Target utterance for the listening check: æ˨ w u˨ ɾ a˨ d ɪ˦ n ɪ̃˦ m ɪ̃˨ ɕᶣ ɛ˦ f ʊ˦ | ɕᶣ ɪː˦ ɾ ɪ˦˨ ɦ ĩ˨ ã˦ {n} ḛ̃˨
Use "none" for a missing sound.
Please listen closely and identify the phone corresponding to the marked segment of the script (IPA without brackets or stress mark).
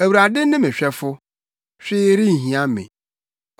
m